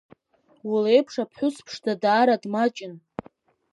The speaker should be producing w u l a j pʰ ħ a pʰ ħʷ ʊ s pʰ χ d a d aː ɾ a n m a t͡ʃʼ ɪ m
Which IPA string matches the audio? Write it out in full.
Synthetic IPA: w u l e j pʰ ʂ a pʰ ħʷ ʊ s pʰ ʂ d a d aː ɾ a d m a t͡ʃʼ ɪ n